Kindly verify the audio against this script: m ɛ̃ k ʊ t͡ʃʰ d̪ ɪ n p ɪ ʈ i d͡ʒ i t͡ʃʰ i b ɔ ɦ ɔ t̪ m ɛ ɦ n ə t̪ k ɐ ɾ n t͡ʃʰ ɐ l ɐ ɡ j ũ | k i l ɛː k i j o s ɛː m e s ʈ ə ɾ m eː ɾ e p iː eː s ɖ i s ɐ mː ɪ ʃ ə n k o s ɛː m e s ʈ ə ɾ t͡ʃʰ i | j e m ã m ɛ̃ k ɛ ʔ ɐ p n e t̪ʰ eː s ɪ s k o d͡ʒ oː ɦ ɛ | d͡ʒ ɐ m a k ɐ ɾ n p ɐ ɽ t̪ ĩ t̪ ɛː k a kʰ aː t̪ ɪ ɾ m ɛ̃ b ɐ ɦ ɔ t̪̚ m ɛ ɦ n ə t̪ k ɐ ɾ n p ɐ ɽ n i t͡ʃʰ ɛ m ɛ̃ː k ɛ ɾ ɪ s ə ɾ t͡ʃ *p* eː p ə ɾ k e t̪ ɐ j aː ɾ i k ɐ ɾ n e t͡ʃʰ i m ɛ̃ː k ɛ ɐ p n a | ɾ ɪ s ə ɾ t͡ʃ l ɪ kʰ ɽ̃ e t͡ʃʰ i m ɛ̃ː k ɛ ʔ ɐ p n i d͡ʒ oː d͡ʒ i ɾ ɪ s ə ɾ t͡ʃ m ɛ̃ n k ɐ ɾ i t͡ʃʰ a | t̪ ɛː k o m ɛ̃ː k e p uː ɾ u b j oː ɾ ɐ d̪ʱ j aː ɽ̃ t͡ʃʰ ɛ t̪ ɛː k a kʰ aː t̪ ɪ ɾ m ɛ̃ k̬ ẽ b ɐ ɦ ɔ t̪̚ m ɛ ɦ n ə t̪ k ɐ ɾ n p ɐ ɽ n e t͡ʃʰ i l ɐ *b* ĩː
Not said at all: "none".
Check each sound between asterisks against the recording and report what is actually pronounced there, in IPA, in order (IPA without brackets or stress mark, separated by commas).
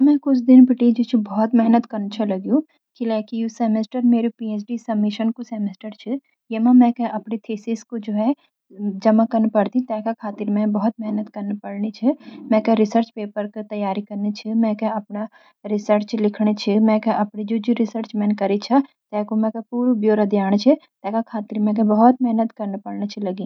p, ɡ